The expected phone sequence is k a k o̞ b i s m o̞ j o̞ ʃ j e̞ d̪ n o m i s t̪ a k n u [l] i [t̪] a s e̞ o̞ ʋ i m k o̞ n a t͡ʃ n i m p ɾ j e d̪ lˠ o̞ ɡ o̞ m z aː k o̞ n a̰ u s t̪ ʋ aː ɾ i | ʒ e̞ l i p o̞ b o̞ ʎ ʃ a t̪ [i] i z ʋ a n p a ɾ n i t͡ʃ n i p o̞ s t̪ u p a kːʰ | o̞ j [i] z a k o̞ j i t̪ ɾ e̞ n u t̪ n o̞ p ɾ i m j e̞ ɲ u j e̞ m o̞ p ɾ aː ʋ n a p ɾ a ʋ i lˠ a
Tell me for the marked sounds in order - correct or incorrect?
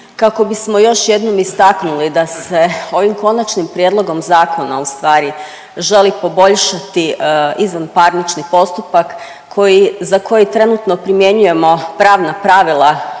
correct, incorrect: d̪, correct, correct

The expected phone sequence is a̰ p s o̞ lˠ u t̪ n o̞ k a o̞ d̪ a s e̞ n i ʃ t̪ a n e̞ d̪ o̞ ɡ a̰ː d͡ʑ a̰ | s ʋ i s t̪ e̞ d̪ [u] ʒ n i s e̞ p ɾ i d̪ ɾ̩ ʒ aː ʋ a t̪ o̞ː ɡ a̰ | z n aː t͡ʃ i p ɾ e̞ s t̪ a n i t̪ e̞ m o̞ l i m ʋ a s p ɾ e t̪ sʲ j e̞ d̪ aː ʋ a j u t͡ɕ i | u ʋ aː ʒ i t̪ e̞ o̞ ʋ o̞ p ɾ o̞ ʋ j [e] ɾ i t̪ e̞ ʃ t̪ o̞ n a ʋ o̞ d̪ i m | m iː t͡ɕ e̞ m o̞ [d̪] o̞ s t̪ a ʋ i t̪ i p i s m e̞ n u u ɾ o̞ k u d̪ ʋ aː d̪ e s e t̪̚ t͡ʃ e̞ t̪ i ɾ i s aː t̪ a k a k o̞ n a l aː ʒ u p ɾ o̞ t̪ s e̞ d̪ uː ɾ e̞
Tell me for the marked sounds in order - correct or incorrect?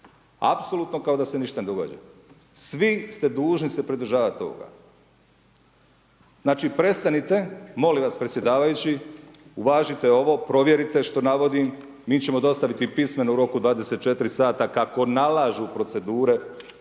incorrect: uː, correct, correct

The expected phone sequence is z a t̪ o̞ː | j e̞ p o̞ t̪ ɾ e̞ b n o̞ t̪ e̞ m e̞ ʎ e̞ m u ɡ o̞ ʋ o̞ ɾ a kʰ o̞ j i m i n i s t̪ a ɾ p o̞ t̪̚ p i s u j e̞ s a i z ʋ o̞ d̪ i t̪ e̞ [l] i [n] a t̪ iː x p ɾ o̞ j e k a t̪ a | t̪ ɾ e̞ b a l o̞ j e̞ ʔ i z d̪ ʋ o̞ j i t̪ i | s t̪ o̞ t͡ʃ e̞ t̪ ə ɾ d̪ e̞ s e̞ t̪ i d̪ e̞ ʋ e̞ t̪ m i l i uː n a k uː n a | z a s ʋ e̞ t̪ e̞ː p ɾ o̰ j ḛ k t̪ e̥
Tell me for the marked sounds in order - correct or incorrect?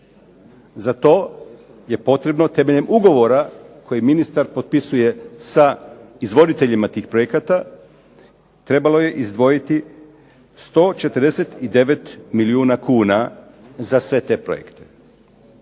incorrect: ʎ, incorrect: m

